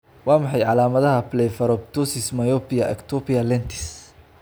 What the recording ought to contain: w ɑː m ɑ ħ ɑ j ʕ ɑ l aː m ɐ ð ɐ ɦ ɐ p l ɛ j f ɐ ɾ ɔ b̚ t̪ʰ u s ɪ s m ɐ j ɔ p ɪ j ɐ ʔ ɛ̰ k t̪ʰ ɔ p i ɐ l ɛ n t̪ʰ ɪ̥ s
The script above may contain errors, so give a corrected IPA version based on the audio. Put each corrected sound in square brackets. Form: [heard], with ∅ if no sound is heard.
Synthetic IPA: w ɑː m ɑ ħ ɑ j ʕ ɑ l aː m ɐ ð ɐ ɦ ɐ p l ɛ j f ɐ ɾ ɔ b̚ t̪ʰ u s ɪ s m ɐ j ɔ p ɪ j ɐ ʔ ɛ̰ k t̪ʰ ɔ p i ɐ l ɛ n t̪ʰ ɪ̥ s